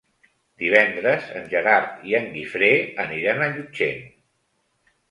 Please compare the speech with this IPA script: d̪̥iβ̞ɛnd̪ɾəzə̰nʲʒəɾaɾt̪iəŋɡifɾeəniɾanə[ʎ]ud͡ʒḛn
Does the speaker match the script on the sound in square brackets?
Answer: yes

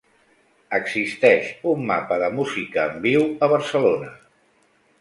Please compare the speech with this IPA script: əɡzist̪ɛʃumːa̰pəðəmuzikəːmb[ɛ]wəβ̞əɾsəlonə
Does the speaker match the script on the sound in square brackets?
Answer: no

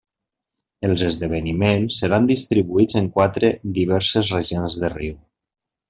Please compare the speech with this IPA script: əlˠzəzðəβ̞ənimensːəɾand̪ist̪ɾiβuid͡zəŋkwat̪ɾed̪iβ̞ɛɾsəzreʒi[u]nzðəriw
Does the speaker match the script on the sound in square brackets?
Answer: no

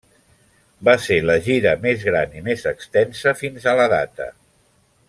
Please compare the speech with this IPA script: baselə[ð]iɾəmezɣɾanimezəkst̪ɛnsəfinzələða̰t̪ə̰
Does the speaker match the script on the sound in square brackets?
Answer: no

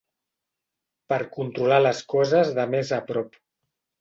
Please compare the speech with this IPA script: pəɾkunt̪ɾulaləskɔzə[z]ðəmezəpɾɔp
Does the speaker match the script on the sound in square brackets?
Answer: yes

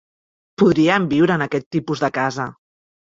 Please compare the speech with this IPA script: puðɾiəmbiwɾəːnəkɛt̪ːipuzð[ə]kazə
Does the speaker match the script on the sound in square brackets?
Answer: yes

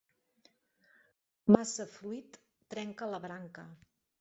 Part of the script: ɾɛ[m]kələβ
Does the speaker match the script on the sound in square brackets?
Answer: no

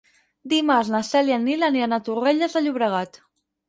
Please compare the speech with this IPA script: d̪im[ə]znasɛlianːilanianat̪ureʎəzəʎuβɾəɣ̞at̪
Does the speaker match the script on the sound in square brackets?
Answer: no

